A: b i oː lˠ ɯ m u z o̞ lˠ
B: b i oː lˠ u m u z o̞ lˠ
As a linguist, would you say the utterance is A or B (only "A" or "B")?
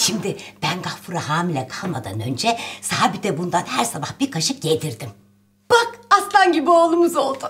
B